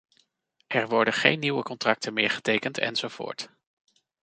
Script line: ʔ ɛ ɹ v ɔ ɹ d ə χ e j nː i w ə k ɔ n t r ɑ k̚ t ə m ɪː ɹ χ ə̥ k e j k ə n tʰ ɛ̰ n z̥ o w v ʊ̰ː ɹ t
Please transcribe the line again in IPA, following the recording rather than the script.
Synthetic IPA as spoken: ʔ ɛ ɹ ʋ ɔ ɹ d ə χ e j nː i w ə k ɔ n t r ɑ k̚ t ə m ɪː ɹ χ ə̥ t e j k ə n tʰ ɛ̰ n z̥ o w v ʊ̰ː ɹ t